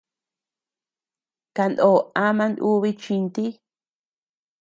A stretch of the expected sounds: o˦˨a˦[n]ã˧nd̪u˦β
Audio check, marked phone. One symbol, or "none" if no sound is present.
m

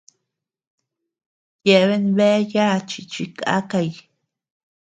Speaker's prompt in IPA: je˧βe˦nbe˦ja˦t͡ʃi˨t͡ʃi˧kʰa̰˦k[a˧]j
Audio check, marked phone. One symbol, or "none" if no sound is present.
a˧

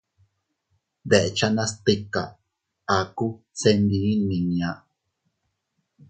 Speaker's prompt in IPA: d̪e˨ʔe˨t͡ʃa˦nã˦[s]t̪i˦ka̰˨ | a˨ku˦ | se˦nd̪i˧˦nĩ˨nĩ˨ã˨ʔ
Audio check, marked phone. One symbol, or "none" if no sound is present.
s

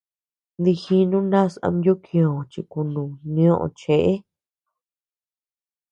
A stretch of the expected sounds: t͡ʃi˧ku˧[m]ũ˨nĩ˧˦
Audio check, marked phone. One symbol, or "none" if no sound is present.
n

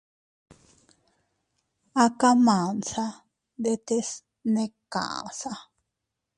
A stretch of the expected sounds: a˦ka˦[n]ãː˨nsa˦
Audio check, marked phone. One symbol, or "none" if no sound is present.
m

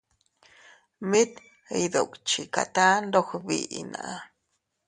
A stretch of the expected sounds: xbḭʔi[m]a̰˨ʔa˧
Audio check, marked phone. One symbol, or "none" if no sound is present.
n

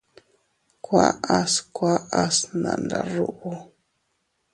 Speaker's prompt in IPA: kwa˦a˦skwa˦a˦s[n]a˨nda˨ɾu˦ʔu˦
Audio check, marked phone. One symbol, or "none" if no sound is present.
n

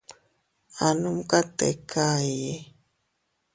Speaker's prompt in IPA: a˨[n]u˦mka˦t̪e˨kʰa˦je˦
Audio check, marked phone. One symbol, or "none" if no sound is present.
n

